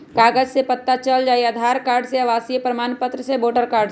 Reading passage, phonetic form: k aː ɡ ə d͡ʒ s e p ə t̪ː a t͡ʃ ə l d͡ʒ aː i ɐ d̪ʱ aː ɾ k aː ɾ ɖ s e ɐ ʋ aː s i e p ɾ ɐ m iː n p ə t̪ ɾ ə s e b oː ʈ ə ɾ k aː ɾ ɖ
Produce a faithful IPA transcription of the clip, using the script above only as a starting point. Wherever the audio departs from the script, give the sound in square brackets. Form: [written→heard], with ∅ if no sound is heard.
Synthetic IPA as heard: k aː ɡ ə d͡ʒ s e p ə t̪ː a t͡ʃ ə l d͡ʒ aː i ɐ d̪ʱ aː ɾ k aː ɾ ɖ s e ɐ ʋ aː s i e p ɾ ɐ m [iː→aː] n p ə t̪ ɾ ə s e b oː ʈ ə ɾ k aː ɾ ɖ